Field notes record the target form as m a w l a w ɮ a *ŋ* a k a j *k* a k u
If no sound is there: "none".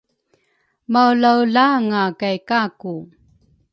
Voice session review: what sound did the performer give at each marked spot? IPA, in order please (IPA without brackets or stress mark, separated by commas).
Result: ŋ, k